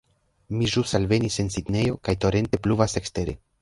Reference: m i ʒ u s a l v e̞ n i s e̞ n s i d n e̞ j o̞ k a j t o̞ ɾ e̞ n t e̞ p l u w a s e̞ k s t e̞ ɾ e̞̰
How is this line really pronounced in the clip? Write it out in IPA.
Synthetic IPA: m i ʒ u s a l v e̞ n i s e̞ n s i d n e̞ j o̞ k a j t o̞ ɾ e̞ n t e̞ p l u v a s e̞ k s t e̞ ɾ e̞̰